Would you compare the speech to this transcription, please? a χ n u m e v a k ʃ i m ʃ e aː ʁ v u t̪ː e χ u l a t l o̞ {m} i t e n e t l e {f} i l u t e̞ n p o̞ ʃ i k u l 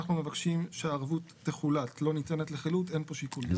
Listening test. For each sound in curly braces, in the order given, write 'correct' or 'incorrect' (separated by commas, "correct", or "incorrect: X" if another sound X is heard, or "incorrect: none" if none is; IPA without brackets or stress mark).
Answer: incorrect: n, incorrect: χ